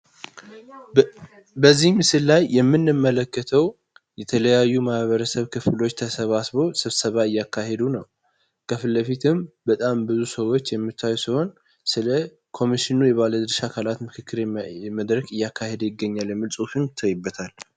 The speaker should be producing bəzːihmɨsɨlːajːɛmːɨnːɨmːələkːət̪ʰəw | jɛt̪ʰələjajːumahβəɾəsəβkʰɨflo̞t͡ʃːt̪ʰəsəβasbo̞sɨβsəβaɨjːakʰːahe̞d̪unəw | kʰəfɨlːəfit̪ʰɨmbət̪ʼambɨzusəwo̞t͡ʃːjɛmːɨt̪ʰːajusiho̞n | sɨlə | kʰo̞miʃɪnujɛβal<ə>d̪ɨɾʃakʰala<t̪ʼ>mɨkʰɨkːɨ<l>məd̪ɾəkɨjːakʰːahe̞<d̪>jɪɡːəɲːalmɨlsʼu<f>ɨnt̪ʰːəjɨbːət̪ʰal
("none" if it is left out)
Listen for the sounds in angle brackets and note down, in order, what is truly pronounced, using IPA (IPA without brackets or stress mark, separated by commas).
ə, t̪, ɾ, d̪, f